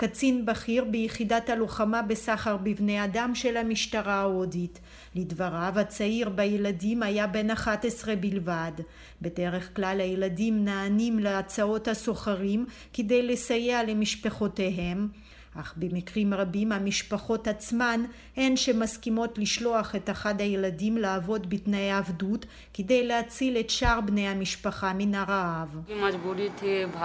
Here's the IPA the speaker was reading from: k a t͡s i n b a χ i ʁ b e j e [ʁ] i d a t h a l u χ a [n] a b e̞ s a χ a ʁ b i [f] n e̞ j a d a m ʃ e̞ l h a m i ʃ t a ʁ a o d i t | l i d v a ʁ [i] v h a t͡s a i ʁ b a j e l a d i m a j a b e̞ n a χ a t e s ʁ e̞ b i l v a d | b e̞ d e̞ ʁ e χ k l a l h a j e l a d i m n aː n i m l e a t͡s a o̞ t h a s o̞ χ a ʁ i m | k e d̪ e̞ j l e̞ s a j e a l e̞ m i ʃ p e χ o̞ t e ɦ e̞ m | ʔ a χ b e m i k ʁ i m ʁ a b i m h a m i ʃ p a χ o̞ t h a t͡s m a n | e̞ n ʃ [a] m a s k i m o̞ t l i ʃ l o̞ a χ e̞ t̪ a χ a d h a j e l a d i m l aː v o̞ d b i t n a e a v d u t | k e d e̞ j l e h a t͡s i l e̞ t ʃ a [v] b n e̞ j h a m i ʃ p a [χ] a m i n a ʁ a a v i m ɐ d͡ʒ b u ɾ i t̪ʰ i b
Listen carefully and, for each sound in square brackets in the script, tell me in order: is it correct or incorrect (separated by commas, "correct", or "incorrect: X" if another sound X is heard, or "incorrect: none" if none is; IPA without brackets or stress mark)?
incorrect: χ, incorrect: m, incorrect: v, incorrect: a, incorrect: e, incorrect: ʁ, correct